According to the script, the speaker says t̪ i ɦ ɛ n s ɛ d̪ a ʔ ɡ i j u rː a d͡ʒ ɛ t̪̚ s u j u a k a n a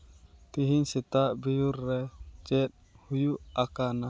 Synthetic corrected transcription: t̪ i ɦ i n s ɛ t̪ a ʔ b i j u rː ɛ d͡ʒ ɛ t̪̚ h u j u a k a n a